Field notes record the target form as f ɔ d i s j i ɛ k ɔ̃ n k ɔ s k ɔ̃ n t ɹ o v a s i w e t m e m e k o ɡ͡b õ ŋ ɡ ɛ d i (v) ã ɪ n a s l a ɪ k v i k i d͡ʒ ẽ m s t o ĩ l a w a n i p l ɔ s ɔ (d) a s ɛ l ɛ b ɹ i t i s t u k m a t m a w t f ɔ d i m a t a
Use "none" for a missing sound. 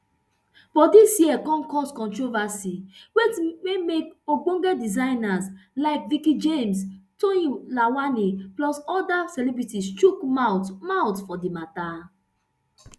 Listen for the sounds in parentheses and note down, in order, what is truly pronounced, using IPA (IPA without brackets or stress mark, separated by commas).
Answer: z, d